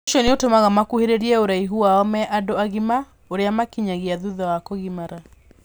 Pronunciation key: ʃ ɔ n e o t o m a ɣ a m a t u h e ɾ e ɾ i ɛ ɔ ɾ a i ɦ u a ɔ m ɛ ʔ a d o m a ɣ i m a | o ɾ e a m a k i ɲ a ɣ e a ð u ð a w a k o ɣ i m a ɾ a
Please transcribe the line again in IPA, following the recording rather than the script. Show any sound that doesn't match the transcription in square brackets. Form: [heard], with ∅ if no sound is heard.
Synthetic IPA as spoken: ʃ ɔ n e o t o m a ɣ a m a [k] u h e ɾ e ɾ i ɛ [o] ɾ a i ɦ u a ɔ m ɛ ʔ a d o [∅] a ɣ i m a | o ɾ e a m a k i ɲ a ɣ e a ð u ð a w a k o ɣ i m a ɾ a